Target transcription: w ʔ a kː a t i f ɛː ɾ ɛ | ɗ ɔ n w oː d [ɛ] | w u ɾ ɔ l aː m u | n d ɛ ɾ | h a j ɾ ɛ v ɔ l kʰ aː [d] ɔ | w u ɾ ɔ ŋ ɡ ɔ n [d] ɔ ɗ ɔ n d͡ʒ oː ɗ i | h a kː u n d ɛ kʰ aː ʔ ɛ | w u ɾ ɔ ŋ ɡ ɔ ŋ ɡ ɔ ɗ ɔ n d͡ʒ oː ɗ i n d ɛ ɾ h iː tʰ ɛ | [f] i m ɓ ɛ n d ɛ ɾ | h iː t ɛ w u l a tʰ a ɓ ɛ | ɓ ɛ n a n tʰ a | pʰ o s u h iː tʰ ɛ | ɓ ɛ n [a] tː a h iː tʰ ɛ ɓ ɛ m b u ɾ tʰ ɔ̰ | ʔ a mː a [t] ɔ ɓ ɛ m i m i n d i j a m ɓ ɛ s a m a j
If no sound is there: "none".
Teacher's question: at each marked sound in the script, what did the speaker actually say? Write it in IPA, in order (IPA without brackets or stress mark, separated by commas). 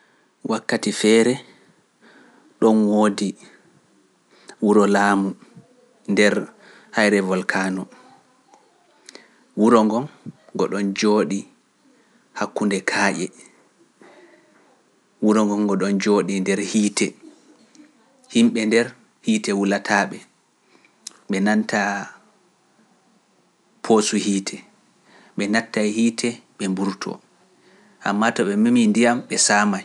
i, n, ɡ, h, a, t